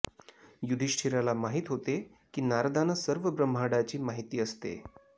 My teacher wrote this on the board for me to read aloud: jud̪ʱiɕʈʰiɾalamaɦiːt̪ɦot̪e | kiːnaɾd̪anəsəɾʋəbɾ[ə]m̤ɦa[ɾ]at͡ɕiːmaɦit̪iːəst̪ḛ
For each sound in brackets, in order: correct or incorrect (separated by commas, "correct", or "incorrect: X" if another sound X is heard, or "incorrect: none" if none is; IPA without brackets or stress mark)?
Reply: correct, incorrect: ɽ